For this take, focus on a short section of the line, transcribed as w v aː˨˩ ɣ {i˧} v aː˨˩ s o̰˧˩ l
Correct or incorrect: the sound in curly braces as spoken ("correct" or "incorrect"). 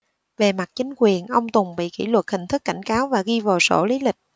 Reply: correct